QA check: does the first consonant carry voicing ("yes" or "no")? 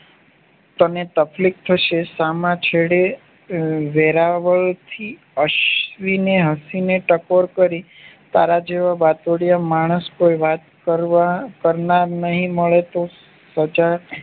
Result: no